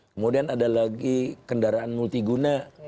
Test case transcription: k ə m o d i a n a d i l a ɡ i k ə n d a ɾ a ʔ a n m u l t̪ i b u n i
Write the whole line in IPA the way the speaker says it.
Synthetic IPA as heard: k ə m o d i a n a d a l a ɡ i k ə n d a ɾ a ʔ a n m u l t̪ i ɡ u n a